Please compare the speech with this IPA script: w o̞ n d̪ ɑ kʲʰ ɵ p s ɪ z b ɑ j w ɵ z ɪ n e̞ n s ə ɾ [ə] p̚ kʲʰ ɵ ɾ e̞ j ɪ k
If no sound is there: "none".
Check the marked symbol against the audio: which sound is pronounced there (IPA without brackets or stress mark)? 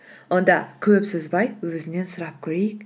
ɑ